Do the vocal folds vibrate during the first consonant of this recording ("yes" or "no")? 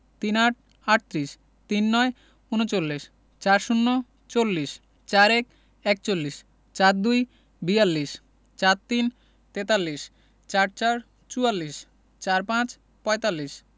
no